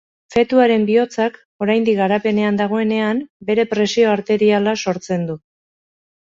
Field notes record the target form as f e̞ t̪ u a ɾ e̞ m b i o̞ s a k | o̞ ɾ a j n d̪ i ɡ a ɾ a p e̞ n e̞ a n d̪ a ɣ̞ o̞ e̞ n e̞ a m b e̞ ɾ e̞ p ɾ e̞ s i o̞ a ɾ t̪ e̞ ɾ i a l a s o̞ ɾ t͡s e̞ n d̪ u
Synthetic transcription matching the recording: f e̞ t̪ u a ɾ e̞ m b i o̞ t͡s a k | o̞ ɾ a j n d̪ i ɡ a ɾ a p e̞ n e̞ a n d̪ a ɣ̞ o̞ e̞ n e̞ a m b e̞ ɾ e̞ p ɾ e̞ s i o̞ a ɾ t̪ e̞ ɾ i a l a s o̞ ɾ t͡s e̞ n d̪ u

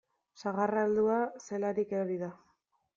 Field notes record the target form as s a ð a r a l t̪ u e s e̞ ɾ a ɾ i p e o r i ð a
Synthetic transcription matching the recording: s a ɣ a r a l d̪ u a s e̞ l a ɾ i k e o ɾ i ð a

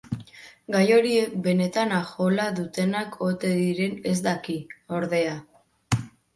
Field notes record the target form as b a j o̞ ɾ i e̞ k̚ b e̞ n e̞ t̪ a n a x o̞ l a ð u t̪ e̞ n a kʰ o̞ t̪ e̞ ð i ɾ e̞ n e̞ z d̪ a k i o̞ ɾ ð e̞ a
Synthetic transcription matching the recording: ɡ a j o̞ ɾ i e̞ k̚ b e̞ n e̞ t̪ a n a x o̞ l a ð u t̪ e̞ n a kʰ o̞ t̪ e̞ ð i ɾ e̞ n e̞ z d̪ a k i o̞ ɾ ð e̞ a

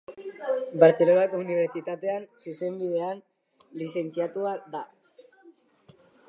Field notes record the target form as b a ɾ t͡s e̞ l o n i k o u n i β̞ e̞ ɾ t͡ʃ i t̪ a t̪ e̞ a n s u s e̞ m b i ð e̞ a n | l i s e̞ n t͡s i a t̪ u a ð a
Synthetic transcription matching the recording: b a ɾ t͡s e̞ l o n a k o u n i β̞ e̞ ɾ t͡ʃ i t̪ a t̪ e̞ a n s u s e̞ m b i ð e̞ a n | l i s e̞ n t͡s i a t̪ u a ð a

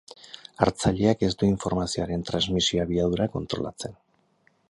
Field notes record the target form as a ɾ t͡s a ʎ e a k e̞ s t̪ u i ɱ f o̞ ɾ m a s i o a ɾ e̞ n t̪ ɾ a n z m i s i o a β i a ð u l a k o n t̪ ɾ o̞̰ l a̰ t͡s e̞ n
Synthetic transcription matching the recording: a ɾ t͡s a ʎ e a k e̞ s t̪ u i ɱ f o̞ ɾ m a s i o a ɾ e̞ n t̪ ɾ a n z m i s i o a β i a ð u ɾ a k o n t̪ ɾ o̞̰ l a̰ t͡s e̞ n

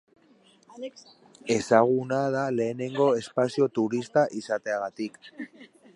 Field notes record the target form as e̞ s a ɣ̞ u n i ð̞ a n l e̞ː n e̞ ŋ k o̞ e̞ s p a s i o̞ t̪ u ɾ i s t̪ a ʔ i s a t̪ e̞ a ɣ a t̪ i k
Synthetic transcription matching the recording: e̞ s a ɣ̞ u n a ð̞ a l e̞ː n e̞ ŋ ɡ o̞ e̞ s p a s i o̞ t̪ u ɾ i s t̪ a ʔ i s a t̪ e̞ a ɣ a t̪ i k

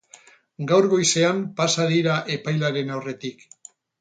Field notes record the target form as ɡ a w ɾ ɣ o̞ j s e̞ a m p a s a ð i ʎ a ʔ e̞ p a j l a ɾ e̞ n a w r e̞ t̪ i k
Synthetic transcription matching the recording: ɡ a w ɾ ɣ o̞ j s e̞ a m p a s a ð i ɾ a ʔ e̞ p a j l a ɾ e̞ n a w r e̞ t̪ i k

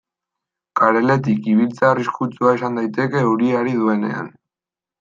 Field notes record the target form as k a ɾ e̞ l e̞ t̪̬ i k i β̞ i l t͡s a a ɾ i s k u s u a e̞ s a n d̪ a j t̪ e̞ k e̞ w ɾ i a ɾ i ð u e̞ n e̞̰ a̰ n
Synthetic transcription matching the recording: k a ɾ e̞ l e̞ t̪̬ i k i β̞ i l t͡s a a r i s k u t͡s u a e̞ s a n d̪ a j t̪ e̞ k e̞ u ɾ i a ɾ i ð u e̞ n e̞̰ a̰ n

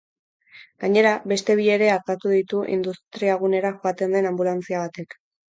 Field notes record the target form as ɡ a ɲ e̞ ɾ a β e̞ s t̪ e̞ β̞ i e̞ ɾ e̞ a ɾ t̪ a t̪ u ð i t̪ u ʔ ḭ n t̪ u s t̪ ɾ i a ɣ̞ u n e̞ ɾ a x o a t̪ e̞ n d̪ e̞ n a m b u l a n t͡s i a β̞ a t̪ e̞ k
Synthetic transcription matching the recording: ɡ a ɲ e̞ ɾ a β e̞ s t̪ e̞ β̞ i e̞ ɾ e̞ a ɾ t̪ a t̪ u ð i t̪ u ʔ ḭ n d̪ u s t̪ ɾ i a ɣ̞ u n e̞ ɾ a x o a t̪ e̞ n d̪ e̞ n a m b u l a n t͡s i a β̞ a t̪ e̞ k

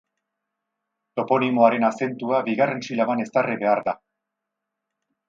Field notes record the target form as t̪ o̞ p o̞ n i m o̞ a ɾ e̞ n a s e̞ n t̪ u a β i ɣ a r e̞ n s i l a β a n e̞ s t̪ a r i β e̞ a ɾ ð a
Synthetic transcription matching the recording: t̪ o̞ p o̞ n i m o̞ a ɾ e̞ n a s e̞ n t̪ u a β i ɣ a r e̞ n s i l a β a n e̞ s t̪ a r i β e̞ a ɾ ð a

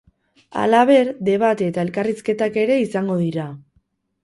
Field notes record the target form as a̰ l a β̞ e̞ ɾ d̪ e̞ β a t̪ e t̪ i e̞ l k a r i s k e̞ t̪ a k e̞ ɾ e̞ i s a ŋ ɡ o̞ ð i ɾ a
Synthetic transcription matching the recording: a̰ l a β̞ e̞ ɾ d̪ e̞ β a t̪ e t̪ a e̞ l k a r i s k e̞ t̪ a k e̞ ɾ e̞ i s a ŋ ɡ o̞ ð i ɾ a

